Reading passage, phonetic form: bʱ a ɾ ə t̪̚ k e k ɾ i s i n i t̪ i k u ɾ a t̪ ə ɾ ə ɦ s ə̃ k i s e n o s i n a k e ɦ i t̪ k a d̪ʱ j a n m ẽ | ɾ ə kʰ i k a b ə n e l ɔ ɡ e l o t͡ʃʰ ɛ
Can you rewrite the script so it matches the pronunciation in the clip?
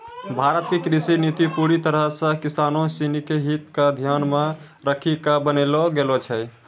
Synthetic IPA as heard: bʱ a ɾ ə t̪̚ k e k ɾ i s i n i t̪ i p u ɾ i t̪ ə ɾ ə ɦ s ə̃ k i s a n o s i n i k e ɦ i t̪ k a d̪ʱ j a n m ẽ | ɾ ə kʰ i k a b ə n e l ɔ ɡ e l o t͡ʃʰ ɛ